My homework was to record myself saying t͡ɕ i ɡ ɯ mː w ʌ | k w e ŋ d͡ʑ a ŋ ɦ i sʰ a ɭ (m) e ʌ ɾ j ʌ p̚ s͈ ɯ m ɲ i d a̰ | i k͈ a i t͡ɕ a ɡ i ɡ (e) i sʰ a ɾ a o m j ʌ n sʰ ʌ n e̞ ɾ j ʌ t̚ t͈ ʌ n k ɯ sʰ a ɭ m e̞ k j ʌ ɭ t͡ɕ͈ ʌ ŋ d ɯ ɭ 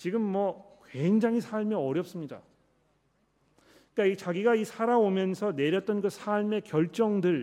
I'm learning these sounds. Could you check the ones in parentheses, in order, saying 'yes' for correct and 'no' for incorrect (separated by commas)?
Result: yes, no